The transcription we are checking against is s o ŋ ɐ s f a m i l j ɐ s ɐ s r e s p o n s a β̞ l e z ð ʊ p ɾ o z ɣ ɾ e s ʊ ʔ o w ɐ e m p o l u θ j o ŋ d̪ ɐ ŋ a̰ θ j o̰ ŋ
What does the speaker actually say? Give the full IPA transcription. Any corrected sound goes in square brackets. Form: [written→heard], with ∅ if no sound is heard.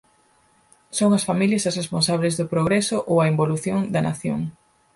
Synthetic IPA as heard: s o ŋ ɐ s f a m i l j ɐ s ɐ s r e s p o n s a β̞ l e z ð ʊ p ɾ o [z→∅] ɣ ɾ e s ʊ ʔ o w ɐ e m [p→b] o l u θ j o ŋ d̪ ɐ [ŋ→n] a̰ θ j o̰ ŋ